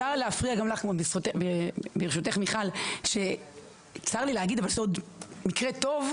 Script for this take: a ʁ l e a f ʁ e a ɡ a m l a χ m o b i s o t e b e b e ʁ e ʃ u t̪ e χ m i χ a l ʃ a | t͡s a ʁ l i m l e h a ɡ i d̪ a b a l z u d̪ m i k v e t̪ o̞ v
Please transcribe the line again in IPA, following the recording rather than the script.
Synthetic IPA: a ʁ l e a f ʁ i a ɡ a m l a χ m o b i s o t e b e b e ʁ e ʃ u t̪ e χ m i χ a l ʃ e | t͡s a ʁ l i l e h a ɡ i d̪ a v a l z o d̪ m i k ʁ e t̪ o̞ v